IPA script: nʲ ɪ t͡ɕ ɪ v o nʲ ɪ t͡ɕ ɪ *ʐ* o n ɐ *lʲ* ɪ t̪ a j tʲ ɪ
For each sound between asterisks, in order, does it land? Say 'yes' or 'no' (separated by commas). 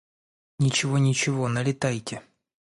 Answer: no, yes